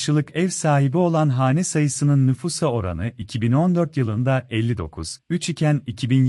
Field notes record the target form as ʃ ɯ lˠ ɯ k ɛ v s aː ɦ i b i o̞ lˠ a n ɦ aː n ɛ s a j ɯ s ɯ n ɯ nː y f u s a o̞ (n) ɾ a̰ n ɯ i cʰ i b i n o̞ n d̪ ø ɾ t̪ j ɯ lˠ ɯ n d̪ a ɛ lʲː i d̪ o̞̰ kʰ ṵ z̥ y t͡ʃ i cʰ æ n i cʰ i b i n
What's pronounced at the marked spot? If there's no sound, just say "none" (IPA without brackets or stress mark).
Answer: none